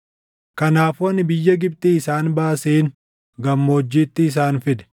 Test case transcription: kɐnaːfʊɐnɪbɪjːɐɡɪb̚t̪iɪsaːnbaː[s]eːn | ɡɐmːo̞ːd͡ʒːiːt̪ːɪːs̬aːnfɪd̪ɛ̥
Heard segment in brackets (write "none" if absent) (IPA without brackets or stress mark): s